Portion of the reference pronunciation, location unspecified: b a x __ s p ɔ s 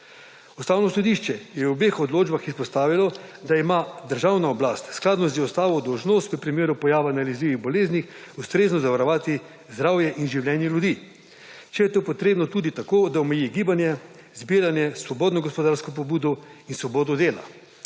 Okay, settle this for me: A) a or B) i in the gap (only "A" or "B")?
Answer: B